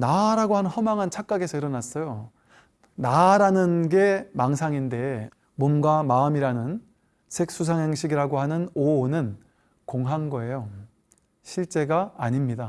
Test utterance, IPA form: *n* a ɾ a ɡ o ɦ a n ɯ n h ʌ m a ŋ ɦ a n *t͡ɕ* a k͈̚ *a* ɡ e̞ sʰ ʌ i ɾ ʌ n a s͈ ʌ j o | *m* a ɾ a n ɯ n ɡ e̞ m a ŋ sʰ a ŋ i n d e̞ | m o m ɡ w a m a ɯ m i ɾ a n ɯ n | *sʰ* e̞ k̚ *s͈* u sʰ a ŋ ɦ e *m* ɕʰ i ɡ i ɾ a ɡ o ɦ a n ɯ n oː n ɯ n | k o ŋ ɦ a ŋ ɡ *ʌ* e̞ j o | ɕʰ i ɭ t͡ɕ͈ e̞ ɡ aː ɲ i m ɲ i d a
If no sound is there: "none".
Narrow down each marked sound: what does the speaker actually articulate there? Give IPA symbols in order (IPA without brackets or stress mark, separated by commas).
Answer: n, t͡ɕʰ, a, n, sʰ, s͈, ŋ, ʌ